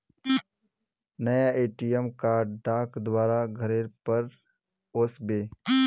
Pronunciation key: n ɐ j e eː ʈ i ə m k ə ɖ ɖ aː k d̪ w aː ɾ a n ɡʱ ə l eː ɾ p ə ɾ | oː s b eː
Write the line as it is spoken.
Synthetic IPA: n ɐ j a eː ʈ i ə m k a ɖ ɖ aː k d̪ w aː ɾ a ɡʱ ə ɾ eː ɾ p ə ɾ | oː s b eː